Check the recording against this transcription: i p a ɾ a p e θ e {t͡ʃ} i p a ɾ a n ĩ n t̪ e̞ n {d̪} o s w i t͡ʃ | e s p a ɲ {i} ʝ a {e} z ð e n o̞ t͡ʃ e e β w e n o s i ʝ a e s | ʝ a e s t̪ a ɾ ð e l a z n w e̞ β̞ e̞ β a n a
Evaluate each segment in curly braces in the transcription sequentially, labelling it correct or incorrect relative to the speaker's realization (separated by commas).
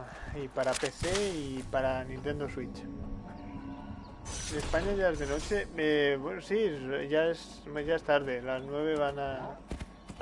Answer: incorrect, correct, incorrect, correct